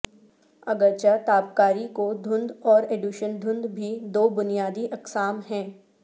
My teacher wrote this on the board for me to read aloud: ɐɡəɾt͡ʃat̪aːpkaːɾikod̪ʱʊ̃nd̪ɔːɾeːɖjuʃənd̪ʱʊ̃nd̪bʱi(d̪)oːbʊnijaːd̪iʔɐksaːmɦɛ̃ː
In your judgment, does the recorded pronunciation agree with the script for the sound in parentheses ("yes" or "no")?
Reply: yes